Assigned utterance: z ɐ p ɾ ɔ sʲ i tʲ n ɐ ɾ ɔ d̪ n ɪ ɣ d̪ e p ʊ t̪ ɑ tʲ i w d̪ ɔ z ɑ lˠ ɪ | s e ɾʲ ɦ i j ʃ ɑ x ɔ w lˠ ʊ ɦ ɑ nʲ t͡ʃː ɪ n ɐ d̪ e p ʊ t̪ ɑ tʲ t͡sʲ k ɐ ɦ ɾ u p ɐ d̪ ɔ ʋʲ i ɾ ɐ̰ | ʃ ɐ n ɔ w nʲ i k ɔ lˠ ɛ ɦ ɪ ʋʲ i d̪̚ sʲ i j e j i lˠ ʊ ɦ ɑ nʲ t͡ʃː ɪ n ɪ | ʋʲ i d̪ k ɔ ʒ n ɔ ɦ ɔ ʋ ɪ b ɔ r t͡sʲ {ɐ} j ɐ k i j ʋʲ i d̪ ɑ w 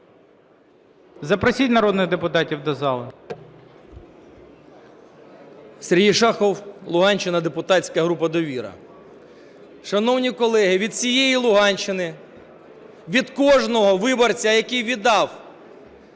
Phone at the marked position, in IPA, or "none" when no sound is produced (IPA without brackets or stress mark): ɐ